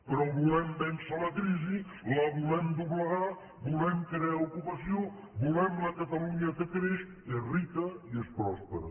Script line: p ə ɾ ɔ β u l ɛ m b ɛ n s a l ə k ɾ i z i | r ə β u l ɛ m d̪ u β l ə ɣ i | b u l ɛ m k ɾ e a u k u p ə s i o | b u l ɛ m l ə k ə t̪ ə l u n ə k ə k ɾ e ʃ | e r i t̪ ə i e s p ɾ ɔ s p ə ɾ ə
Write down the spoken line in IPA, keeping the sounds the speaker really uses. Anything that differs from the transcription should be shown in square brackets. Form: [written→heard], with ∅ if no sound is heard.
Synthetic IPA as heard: p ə ɾ ɔ β u l ɛ m b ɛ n s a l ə k ɾ i z i | [r→l] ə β u l ɛ m d̪ u β l ə ɣ [i→a] | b u l ɛ m k ɾ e a u k u p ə s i o | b u l ɛ m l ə k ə t̪ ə l u [n→ɲ] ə k ə k ɾ e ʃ | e r i t̪ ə i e s p ɾ ɔ s p ə ɾ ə